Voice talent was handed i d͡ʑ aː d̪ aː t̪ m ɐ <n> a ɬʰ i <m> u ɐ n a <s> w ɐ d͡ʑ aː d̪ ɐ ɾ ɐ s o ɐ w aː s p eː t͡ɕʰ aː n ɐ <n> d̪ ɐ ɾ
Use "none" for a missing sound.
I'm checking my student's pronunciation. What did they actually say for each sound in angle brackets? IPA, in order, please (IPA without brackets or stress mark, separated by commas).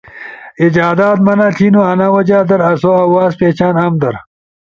n, n, none, m